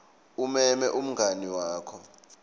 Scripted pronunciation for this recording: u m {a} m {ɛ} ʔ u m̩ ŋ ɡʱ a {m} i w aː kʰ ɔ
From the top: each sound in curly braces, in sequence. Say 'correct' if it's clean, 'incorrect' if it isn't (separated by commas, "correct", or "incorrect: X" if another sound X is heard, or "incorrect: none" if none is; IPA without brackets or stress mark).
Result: incorrect: ɛ, correct, incorrect: n